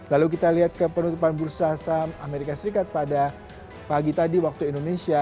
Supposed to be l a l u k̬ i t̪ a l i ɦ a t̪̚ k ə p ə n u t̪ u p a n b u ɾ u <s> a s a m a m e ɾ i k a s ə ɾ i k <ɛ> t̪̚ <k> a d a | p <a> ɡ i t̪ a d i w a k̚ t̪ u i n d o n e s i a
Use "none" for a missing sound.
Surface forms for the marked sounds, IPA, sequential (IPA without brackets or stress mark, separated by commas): s, a, p, a